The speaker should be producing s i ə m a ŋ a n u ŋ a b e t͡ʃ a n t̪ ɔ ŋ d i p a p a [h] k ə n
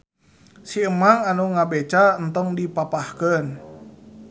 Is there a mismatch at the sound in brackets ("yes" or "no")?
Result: no